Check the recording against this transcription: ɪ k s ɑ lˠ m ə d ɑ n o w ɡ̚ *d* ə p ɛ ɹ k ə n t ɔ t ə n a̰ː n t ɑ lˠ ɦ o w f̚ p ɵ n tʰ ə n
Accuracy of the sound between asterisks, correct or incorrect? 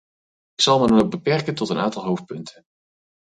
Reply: incorrect: b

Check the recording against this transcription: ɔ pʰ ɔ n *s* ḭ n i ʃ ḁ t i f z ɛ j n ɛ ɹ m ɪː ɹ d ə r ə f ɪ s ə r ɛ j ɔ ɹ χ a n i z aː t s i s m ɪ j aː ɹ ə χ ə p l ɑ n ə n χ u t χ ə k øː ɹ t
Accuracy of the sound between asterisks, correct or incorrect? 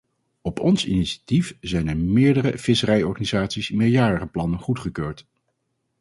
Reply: correct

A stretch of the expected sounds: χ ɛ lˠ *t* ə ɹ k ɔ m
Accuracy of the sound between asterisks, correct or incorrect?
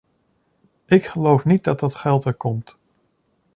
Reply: correct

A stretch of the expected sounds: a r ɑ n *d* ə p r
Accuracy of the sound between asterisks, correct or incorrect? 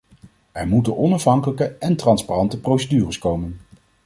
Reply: incorrect: t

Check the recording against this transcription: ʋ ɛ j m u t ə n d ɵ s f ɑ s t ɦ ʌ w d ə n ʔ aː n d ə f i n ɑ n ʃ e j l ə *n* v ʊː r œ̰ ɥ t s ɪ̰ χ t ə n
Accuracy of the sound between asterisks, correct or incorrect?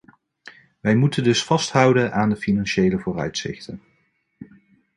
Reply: incorrect: none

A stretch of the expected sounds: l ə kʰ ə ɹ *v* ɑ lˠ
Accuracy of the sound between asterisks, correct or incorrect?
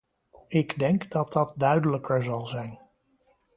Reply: incorrect: z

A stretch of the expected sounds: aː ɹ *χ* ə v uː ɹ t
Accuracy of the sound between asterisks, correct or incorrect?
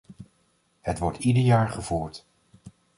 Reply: correct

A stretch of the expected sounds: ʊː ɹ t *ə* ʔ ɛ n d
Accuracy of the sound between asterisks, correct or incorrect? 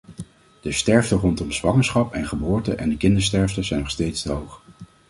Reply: correct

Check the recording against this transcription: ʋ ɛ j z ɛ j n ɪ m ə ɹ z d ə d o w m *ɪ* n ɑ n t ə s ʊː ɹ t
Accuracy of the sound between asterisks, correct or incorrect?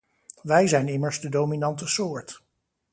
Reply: incorrect: i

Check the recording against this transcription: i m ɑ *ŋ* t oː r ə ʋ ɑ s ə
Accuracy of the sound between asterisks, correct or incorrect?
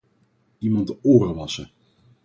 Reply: incorrect: n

